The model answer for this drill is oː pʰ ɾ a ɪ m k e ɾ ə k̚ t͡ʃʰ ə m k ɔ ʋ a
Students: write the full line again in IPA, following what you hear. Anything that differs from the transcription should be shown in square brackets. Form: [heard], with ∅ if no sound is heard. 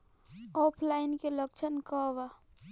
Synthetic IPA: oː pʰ [l] a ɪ [n] k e [l] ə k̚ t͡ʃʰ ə [n] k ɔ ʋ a